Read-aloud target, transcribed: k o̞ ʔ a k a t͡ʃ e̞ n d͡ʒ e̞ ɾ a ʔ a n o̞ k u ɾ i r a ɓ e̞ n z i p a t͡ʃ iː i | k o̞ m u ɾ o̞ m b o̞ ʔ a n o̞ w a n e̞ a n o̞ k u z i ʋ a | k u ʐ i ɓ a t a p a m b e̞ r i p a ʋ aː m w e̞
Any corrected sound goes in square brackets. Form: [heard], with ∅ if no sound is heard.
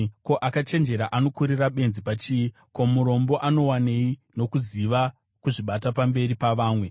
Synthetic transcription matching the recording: k o̞ ʔ a k a t͡ʃ e̞ n d͡ʒ e̞ ɾ a ʔ a n o̞ k u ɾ i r a ɓ e̞ n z i p a t͡ʃ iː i | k o̞ m u ɾ o̞ m b o̞ ʔ a n o̞ w a n e̞ [i] n o̞ k u z i ʋ a | k u ʐ i ɓ a t a p a m b e̞ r i p a ʋ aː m w e̞